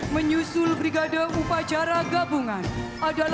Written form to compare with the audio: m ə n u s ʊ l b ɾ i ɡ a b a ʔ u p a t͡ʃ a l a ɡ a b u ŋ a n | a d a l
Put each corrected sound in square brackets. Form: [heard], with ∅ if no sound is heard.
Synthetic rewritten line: m ə [ɲ] u s ʊ l b ɾ i ɡ a [d] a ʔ u p a t͡ʃ a [ɾ] a ɡ a b u ŋ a n | a d a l